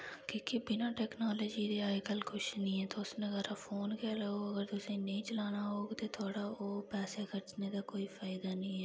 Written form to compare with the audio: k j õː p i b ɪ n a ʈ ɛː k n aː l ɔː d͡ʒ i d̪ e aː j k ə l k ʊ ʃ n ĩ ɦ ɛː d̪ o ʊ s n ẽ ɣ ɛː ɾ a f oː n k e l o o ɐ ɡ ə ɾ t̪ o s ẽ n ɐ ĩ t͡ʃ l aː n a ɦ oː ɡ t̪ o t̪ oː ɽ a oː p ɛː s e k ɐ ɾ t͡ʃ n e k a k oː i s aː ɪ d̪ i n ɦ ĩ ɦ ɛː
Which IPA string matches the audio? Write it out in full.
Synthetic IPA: k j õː k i b ɪ n a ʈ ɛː k n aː l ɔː d͡ʒ i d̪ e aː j k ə l k ʊ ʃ n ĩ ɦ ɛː t̪ o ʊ s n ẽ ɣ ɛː ɾ a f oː n k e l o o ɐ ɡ ə ɾ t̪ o s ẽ n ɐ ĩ t͡ʃ l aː n a ɦ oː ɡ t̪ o t̪ʰ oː ɽ a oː p ɛː s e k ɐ ɾ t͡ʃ n e k a k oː i f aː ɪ d̪ a n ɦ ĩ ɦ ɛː